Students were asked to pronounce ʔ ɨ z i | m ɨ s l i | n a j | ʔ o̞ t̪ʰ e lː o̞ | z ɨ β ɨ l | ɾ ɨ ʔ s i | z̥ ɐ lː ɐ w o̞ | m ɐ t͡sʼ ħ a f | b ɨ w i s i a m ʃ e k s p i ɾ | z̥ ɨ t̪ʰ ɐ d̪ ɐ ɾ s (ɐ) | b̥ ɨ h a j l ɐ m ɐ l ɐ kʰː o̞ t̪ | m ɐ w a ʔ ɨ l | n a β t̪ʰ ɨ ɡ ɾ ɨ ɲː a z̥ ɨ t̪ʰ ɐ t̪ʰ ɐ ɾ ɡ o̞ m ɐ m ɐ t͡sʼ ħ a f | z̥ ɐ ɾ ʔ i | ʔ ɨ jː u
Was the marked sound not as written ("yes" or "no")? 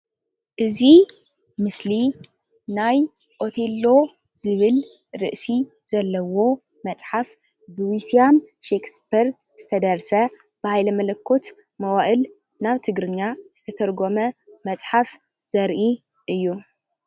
no